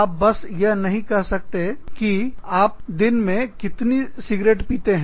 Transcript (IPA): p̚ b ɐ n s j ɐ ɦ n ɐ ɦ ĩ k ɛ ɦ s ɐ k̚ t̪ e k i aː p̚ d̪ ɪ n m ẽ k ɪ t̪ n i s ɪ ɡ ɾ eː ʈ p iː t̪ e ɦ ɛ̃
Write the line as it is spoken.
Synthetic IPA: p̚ b ɐ s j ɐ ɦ n ɐ ɦ ĩ k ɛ ɦ s ɐ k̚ t̪ e k i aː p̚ d̪ ɪ n m ẽ k ɪ t̪ n i s ɪ ɡ ɾ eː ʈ p iː t̪ e ɦ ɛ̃

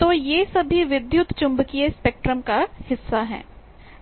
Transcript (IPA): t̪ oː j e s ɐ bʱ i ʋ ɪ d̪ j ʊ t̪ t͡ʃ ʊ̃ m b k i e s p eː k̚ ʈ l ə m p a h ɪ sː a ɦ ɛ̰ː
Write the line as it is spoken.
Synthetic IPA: t̪ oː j e s ɐ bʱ i ʋ ɪ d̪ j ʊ t̪ t͡ʃ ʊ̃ m b k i e s p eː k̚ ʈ ɾ ə m k a h ɪ sː a ɦ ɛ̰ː

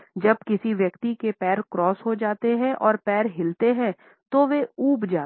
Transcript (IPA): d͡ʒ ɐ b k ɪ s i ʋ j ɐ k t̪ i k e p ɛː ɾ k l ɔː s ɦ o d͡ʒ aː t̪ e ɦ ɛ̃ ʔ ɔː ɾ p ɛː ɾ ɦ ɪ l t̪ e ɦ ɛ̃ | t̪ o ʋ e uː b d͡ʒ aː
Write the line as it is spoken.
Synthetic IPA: d͡ʒ ɐ b k ɪ s i ʋ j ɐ k t̪ i k e p ɛː ɾ k ɾ ɔː s ɦ o d͡ʒ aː t̪ e ɦ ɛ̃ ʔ ɔː ɾ p ɛː ɾ ɦ ɪ l t̪ e ɦ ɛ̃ | t̪ o ʋ e uː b d͡ʒ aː

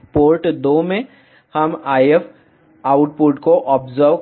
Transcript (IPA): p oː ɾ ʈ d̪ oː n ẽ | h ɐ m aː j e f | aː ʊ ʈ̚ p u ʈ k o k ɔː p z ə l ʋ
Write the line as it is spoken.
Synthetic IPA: p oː ɾ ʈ d̪ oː m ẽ | h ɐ m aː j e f | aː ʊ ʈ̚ p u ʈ k o ʔ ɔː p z ə ɾ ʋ

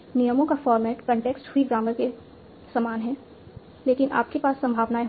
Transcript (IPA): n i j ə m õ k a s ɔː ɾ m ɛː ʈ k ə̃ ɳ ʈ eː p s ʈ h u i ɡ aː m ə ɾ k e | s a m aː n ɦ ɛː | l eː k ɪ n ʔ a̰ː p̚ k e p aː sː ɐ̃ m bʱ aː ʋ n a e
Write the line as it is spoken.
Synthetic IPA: n i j ə m õ k a f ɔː ɾ m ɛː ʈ k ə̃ ɳ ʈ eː k s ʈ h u i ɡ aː m ə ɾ k e | s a m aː n ɦ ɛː | l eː k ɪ n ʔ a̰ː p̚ k e p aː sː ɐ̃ m bʱ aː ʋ n a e

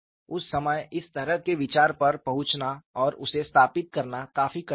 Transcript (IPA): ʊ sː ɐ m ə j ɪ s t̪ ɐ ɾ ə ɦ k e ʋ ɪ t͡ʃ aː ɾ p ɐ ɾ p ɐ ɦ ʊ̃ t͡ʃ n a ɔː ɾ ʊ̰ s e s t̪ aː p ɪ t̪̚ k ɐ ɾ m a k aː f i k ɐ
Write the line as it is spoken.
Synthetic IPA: ʊ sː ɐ m ə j ɪ s t̪ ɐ ɾ ə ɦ k e ʋ ɪ t͡ʃ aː ɾ p ɐ ɾ p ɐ ɦ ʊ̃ t͡ʃ n a ɔː ɾ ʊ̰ s e s t̪ʰ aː p ɪ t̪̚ k ɐ ɾ n a k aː f i k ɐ

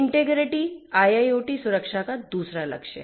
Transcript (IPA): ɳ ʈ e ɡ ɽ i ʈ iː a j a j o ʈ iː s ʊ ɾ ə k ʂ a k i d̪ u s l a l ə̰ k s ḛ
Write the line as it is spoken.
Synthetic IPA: ɳ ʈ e ɡ ɾ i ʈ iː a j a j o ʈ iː s u ɾ ə k ʂ a k a d̪ u s ɾ a l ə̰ k ʂ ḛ

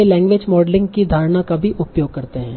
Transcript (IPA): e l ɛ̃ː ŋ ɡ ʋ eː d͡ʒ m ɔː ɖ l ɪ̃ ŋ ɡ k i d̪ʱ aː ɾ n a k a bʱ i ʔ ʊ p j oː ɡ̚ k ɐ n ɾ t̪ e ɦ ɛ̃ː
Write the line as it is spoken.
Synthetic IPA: e l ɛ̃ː ŋ ɡ ʋ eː d͡ʒ m ɔː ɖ l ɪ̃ ŋ ɡ k i d̪ʱ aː ɾ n a k a bʱ i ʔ ʊ p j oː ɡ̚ k ɐ ɾ t̪ e ɦ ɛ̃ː

